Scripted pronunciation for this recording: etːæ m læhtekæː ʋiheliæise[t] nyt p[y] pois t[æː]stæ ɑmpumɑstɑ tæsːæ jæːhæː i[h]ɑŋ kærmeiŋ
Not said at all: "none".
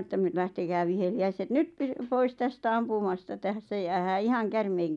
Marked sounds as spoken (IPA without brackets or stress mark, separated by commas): t, y, æ, h